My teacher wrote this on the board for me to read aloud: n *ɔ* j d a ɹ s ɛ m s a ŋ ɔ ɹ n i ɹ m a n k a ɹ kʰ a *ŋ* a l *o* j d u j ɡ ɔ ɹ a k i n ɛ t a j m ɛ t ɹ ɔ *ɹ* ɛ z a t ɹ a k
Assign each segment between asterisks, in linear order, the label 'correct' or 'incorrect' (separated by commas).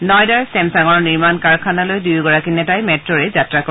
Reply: correct, incorrect, correct, correct